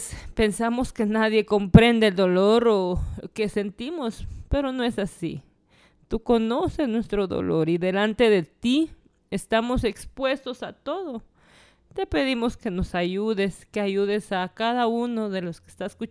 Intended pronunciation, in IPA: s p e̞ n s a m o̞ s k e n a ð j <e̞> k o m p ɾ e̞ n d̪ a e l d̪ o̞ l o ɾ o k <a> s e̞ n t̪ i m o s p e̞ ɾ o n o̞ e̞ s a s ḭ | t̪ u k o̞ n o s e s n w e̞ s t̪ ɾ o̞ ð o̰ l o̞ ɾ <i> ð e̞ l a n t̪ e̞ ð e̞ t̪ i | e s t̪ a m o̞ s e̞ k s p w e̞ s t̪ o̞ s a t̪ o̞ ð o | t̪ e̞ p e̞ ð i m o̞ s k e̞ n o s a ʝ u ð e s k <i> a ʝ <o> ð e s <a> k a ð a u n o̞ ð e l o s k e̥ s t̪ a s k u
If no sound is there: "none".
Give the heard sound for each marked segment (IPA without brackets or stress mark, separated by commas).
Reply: e̞, e, i, e, u, a